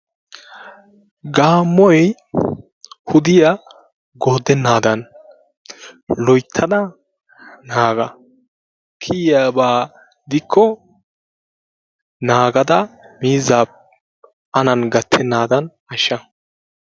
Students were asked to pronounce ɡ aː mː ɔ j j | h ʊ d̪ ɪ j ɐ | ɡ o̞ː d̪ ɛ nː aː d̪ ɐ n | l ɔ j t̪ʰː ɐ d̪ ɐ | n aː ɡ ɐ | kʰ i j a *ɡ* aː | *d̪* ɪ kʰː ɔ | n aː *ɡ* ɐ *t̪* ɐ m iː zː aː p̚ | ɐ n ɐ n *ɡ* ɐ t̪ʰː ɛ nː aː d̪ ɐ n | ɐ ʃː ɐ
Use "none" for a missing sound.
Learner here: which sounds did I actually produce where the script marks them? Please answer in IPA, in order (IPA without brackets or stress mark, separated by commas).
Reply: b, d̪, ɡ, d̪, ɡ